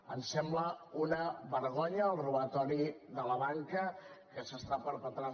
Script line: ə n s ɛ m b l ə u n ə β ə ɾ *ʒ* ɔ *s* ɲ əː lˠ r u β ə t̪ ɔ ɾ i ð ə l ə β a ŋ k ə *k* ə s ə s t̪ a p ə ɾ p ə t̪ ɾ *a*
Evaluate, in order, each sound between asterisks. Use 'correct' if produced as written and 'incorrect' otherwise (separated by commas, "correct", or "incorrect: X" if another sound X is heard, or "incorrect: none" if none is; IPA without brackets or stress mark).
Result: incorrect: ɣ, incorrect: none, correct, correct